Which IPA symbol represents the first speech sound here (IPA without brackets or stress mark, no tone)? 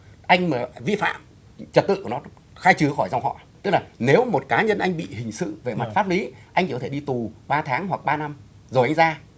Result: ʔ